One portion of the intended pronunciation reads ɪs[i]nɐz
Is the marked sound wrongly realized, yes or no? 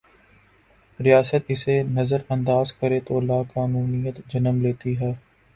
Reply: yes